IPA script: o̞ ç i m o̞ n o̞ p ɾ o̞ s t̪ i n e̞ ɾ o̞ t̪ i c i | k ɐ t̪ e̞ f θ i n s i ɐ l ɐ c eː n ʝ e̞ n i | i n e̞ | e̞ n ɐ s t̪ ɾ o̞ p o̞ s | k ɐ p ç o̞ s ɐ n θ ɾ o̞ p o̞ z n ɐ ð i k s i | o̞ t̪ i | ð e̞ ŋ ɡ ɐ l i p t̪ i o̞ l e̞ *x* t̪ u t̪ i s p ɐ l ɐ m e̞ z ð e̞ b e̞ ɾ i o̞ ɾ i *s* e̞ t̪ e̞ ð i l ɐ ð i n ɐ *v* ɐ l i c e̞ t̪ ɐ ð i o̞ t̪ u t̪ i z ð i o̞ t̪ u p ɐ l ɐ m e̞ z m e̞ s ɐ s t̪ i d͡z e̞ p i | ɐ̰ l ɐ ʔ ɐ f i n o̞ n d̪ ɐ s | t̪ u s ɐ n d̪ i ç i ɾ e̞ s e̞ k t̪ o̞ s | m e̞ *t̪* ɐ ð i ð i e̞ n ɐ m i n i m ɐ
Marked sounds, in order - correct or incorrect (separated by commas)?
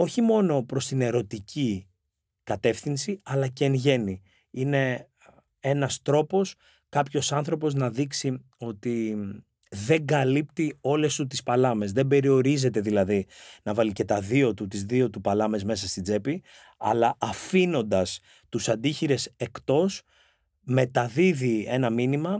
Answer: incorrect, incorrect, correct, correct